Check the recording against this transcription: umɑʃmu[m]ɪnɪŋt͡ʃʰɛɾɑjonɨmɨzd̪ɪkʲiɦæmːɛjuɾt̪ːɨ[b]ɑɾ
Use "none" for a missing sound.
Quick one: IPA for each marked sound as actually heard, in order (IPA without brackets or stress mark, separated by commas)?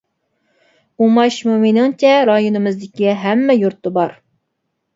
m, b